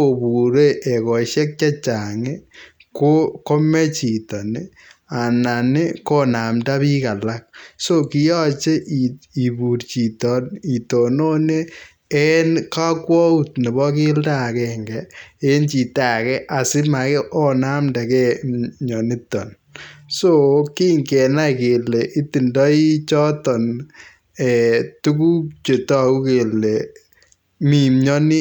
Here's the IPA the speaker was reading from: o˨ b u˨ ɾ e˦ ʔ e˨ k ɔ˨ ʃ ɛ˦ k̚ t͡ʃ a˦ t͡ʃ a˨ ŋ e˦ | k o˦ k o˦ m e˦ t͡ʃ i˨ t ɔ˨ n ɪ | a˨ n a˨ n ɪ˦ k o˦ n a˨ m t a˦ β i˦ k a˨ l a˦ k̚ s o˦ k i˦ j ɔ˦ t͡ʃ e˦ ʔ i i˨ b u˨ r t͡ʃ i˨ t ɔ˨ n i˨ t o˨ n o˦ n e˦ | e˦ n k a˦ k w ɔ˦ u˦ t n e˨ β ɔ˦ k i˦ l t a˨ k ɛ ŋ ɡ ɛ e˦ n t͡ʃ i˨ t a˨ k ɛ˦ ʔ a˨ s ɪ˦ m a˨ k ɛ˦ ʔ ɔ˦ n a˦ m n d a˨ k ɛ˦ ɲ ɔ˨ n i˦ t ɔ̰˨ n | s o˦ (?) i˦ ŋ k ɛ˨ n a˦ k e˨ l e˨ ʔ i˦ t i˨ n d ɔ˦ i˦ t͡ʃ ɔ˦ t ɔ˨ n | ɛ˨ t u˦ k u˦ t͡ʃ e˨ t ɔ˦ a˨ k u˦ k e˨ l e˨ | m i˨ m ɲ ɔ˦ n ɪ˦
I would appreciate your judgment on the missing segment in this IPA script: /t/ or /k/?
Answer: k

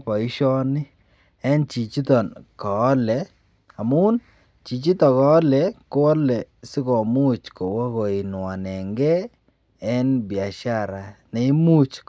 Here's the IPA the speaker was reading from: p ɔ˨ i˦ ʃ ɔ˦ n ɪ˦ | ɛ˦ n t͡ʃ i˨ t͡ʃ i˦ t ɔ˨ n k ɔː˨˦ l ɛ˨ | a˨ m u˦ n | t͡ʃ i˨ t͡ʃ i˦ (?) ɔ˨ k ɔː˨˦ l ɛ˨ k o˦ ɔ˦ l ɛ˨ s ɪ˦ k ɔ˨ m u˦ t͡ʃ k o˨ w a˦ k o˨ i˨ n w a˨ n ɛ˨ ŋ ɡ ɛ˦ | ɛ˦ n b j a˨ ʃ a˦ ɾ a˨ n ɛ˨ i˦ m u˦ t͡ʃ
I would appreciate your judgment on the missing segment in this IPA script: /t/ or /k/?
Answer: t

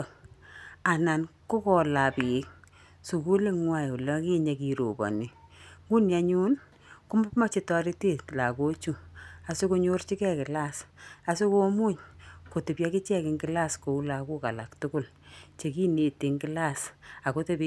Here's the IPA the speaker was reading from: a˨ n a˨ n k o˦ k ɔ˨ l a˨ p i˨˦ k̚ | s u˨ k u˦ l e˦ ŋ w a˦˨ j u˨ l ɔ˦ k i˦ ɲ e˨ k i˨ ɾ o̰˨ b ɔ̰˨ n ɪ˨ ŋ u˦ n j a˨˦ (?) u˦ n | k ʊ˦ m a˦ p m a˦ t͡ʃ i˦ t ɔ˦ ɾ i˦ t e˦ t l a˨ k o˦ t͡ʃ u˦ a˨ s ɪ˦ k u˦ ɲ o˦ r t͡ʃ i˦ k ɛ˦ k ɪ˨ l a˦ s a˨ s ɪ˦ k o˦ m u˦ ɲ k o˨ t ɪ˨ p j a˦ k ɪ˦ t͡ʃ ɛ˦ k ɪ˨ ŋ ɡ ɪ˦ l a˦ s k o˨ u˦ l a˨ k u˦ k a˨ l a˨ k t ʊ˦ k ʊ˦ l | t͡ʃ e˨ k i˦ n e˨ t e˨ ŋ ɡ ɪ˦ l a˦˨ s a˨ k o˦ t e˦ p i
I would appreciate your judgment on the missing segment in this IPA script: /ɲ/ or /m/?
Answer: ɲ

